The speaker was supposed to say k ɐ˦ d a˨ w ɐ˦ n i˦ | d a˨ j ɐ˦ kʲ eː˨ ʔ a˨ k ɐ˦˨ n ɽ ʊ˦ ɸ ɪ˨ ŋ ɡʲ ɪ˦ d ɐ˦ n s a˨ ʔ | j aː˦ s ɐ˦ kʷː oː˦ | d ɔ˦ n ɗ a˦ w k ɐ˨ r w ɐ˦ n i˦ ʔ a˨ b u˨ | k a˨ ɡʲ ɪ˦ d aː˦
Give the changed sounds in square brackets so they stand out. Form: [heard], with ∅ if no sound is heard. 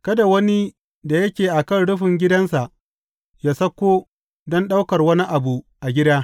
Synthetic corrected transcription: k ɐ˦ d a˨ w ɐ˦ n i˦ | d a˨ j ɐ˦ kʲ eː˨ ʔ a˨ k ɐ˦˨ n ɽ ʊ˦ ɸ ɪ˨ ŋ ɡʲ ɪ˦ d ɐ˦ n s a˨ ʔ | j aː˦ s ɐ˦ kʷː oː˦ | d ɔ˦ n ɗ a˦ w k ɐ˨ r w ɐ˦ n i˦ ʔ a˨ b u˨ | [ʔ] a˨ ɡʲ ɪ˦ d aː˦